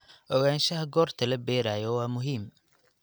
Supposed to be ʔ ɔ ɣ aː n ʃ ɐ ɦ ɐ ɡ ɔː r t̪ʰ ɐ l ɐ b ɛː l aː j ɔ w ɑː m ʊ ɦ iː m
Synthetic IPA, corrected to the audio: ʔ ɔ ɣ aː n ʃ ɐ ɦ ɐ ɡ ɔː r t̪ʰ ɐ l ɐ b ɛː ɾ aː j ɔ w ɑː m ʊ ɦ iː m